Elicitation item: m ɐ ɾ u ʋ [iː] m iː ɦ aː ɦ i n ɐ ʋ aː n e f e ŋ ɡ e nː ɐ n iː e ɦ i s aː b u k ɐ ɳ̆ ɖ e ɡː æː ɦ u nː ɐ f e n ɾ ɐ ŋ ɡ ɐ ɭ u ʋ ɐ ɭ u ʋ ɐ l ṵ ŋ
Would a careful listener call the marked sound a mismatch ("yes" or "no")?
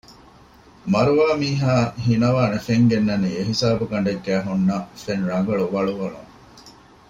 yes